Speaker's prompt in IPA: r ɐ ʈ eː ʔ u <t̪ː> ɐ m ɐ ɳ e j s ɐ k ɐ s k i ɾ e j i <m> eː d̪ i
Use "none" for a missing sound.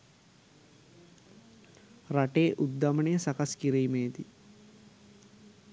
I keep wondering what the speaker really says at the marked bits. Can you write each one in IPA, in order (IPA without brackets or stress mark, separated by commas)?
d̪ː, m